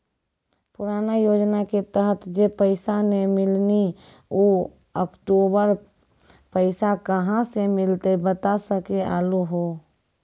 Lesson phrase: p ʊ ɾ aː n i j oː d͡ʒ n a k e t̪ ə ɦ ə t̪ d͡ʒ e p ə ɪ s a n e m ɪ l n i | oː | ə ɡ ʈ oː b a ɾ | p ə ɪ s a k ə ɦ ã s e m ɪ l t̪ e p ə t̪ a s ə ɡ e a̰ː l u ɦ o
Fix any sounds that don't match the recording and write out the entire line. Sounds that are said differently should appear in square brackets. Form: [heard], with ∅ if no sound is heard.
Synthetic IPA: p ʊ ɾ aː n [a] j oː d͡ʒ n a k e t̪ ə ɦ ə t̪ d͡ʒ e p ə ɪ s a n e m ɪ l n i | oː | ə [k] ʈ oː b [ə] ɾ | p ə ɪ s a k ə ɦ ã s e m ɪ l t̪ e [b] ə t̪ a s ə [k] e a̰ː l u ɦ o